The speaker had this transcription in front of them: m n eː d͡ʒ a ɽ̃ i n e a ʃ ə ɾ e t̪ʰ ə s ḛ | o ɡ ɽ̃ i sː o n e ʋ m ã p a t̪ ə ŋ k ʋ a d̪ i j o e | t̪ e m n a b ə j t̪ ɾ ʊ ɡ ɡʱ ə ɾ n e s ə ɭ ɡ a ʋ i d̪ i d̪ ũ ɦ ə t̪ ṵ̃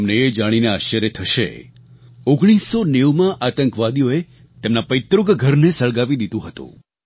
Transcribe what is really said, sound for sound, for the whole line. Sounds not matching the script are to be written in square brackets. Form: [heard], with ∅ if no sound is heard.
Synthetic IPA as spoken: m n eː d͡ʒ a ɽ̃ i n e a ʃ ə ɾ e t̪ʰ ə [ʃ] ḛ | o ɡ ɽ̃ i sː o n e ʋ m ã [ʔ] a t̪ ə ŋ k ʋ a d̪ i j o e | t̪ e m n a [p] ə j t̪ ɾ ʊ ɡ ɡʱ ə ɾ n e s ə ɭ ɡ a ʋ i d̪ i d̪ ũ ɦ ə t̪ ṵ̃